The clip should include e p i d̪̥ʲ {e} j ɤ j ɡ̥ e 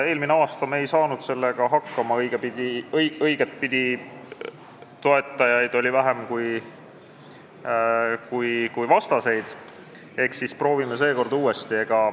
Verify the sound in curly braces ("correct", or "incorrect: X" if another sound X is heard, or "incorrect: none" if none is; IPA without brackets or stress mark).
incorrect: i